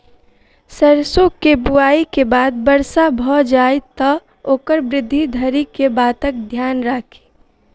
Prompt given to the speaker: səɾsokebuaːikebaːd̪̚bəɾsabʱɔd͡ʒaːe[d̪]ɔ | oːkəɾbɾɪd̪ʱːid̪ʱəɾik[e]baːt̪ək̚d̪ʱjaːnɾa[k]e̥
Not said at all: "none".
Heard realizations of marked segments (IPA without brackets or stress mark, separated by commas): t̪, e, kʰ